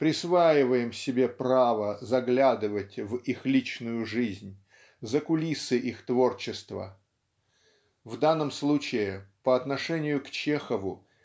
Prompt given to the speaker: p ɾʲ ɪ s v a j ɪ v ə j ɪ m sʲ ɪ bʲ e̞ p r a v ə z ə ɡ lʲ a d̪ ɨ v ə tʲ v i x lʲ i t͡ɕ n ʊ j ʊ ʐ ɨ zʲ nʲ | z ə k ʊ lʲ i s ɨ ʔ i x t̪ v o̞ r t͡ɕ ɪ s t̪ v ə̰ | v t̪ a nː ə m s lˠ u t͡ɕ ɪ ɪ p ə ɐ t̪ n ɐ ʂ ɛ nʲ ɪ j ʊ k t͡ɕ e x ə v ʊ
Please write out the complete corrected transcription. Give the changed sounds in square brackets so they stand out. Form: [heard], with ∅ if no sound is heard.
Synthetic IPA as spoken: p ɾʲ ɪ s v a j ɪ v ə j ɪ m sʲ ɪ bʲ e̞ p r a v ə z [ɐ] ɡ lʲ a d̪ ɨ v ə tʲ v i x lʲ i t͡ɕ n ʊ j ʊ ʐ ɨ zʲ nʲ | z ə k ʊ lʲ i s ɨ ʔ i x t̪ v o̞ r t͡ɕ ɪ s t̪ v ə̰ | v [d̪] a nː ə m s lˠ u t͡ɕ ɪ ɪ p ə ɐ t̪ n ɐ ʂ ɛ nʲ ɪ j ʊ k t͡ɕ e x ə v ʊ

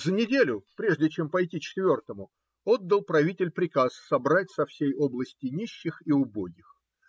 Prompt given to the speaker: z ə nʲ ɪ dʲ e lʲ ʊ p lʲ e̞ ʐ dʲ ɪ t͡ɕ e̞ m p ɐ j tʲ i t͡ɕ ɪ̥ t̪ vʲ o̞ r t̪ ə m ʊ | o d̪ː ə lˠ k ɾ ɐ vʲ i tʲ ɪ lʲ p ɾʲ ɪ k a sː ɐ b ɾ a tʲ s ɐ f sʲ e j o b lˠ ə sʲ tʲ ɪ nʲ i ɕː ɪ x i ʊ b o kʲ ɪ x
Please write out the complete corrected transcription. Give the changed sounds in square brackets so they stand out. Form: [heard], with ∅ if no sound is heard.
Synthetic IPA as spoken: z ə nʲ ɪ dʲ e lʲ ʊ p [ɾʲ] e̞ ʐ dʲ ɪ t͡ɕ e̞ m p ɐ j tʲ i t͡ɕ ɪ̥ t̪ vʲ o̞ r t̪ ə m ʊ | o d̪ː ə lˠ [p] ɾ ɐ vʲ i tʲ ɪ lʲ p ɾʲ ɪ k a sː ɐ b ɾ a tʲ s ɐ f sʲ e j o b lˠ ə sʲ tʲ ɪ nʲ i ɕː ɪ x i ʊ b o [ɡʲ] ɪ x

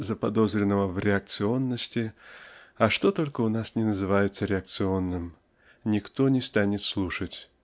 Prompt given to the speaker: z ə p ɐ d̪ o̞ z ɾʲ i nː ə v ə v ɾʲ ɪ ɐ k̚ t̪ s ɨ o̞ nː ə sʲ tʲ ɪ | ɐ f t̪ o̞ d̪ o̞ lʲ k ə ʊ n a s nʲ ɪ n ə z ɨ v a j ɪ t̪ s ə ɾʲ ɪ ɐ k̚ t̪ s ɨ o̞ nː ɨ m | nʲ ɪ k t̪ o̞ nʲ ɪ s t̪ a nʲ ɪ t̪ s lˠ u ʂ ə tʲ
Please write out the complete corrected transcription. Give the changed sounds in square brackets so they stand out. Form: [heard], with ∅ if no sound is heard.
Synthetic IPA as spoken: z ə p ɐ d̪ o̞ z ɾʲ [ɪ] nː ə v ə v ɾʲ ɪ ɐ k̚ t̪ s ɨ o̞ nː ə sʲ tʲ ɪ | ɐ [ʂ] t̪ o̞ [t̪] o̞ lʲ k ə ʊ n a s nʲ ɪ n ə z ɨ v a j ɪ t̪ s ə ɾʲ ɪ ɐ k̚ t̪ s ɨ o̞ nː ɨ m | nʲ ɪ k t̪ o̞ nʲ ɪ s t̪ a nʲ ɪ t̪ s lˠ u ʂ ə tʲ

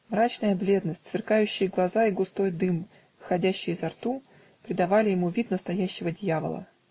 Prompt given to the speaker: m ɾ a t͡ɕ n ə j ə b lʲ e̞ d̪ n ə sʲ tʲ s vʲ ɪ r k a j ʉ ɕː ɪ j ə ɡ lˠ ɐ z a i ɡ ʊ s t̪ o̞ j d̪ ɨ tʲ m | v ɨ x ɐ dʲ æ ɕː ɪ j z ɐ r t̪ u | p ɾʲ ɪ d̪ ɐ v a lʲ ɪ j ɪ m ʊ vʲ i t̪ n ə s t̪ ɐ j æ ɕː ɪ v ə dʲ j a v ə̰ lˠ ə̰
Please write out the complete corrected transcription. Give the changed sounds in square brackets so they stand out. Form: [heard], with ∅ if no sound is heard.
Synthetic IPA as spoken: m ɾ a t͡ɕ n ə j ə b lʲ e̞ d̪ n ə sʲ tʲ s vʲ ɪ r k a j ʉ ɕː ɪ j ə ɡ lˠ ɐ z a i ɡ ʊ s t̪ o̞ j d̪ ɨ [∅] m | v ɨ x ɐ dʲ æ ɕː ɪ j z ɐ r t̪ u | p ɾʲ ɪ d̪ ɐ v a lʲ ɪ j ɪ m [u] vʲ i t̪ n ə s t̪ ɐ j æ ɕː ɪ v ə dʲ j a v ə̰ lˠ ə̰

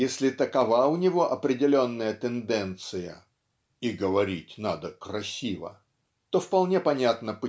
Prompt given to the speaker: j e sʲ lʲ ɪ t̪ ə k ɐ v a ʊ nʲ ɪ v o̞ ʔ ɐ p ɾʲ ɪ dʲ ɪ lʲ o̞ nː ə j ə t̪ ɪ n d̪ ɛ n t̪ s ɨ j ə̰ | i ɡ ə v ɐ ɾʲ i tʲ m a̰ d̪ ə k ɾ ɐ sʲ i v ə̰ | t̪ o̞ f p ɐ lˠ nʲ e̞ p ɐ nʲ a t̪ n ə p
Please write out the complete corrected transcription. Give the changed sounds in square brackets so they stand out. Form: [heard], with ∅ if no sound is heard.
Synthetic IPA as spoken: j e sʲ lʲ ɪ t̪ ə k ɐ v a ʊ nʲ ɪ v o̞ ʔ ɐ p ɾʲ ɪ dʲ ɪ lʲ o̞ nː ə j ə t̪ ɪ n d̪ ɛ n t̪ s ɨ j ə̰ | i ɡ ə v ɐ ɾʲ i tʲ [n] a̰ d̪ ə k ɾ ɐ sʲ i v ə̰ | t̪ o̞ f p ɐ lˠ nʲ e̞ p ɐ nʲ a t̪ n ə p

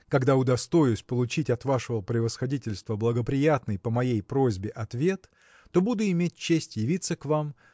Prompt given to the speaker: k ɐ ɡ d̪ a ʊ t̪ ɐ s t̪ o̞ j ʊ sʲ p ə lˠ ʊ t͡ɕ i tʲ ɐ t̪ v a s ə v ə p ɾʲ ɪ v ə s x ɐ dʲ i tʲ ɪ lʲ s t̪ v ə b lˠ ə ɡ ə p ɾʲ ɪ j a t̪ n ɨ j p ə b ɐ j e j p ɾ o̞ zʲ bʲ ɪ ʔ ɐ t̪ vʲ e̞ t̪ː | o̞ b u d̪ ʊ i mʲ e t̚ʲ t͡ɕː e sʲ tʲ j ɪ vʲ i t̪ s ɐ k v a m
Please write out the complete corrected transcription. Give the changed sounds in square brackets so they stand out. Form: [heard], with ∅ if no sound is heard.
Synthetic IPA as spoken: k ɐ ɡ d̪ a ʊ [d̪] ɐ s t̪ o̞ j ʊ sʲ p ə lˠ ʊ t͡ɕ i tʲ ɐ t̪ v a [ʂ] ə v ə p ɾʲ ɪ v ə s x ɐ dʲ i tʲ ɪ lʲ s t̪ v ə b lˠ ə ɡ ə p ɾʲ ɪ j a t̪ n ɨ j p ə [m] ɐ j e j p ɾ o̞ zʲ bʲ ɪ ʔ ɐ t̪ vʲ e̞ t̪ː | o̞ b u d̪ ʊ [ɪ] mʲ e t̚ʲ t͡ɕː e sʲ tʲ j ɪ vʲ i t̪ s [ə] k v a m

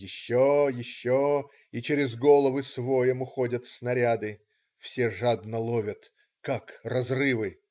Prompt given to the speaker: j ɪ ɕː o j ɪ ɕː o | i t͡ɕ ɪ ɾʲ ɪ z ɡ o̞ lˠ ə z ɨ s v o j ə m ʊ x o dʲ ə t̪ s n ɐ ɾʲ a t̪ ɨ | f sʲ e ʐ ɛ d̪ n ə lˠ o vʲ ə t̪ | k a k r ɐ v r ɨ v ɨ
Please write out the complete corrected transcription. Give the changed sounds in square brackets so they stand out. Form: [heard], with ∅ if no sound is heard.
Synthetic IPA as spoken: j ɪ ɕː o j ɪ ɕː o | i t͡ɕ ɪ ɾʲ ɪ z ɡ o̞ lˠ ə [v] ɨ s v o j ə m ʊ x o dʲ ə t̪ s n ɐ ɾʲ a [d̪] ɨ | f sʲ e ʐ [a] d̪ n ə lˠ o vʲ ə t̪ | k a k r ɐ [z] r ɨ v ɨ

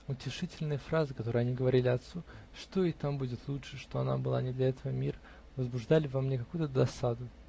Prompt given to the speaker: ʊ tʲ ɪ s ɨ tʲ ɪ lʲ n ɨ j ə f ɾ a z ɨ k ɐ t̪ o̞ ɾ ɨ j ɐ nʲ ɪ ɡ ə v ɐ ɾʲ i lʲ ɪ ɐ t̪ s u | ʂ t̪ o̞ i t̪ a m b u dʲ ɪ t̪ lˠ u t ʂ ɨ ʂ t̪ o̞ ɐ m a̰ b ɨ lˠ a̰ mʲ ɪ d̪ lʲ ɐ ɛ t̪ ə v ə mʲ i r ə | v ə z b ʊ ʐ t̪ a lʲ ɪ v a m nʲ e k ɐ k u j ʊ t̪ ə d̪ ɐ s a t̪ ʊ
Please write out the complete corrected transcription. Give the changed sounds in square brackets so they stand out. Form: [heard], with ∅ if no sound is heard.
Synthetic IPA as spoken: ʊ tʲ ɪ [ʂ] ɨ tʲ ɪ lʲ n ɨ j ə f ɾ a z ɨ k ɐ t̪ o̞ ɾ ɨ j ɐ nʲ [i] ɡ ə v ɐ ɾʲ i lʲ ɪ ɐ t̪ s u | ʂ t̪ o̞ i t̪ a m b u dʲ ɪ t̪ lˠ u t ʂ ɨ ʂ t̪ o̞ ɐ [n] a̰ b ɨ lˠ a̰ [nʲ] ɪ d̪ lʲ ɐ ɛ t̪ ə v ə mʲ i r ə | v ə z b ʊ ʐ [d̪] a lʲ ɪ v a m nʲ e k ɐ k u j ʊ t̪ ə d̪ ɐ s a [d̪] ʊ

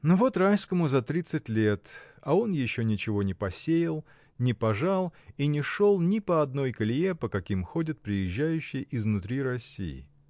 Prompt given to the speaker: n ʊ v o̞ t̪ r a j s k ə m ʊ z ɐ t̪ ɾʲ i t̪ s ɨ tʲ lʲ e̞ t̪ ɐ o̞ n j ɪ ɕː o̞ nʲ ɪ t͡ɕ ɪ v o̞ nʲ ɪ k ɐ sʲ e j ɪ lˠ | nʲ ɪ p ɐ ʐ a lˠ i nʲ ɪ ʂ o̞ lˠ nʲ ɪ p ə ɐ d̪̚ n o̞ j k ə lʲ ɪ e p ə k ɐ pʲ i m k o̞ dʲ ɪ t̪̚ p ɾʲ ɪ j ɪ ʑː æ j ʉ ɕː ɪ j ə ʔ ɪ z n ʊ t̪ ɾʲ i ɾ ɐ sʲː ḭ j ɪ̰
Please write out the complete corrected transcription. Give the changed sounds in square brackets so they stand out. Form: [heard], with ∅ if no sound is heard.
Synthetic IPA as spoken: n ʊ v o̞ t̪ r a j s k ə m ʊ z ɐ t̪ ɾʲ i t̪ s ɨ tʲ lʲ e̞ t̪ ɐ o̞ n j ɪ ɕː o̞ nʲ ɪ t͡ɕ ɪ v o̞ nʲ ɪ [p] ɐ sʲ e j ɪ lˠ | nʲ ɪ p ɐ ʐ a lˠ i nʲ ɪ ʂ o̞ lˠ nʲ ɪ p ə ɐ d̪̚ n o̞ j k ə lʲ ɪ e p ə k ɐ [kʲ] i m [x] o̞ dʲ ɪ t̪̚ p ɾʲ ɪ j ɪ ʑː æ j ʉ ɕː ɪ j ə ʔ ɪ z n ʊ t̪ ɾʲ i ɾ ɐ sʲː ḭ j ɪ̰

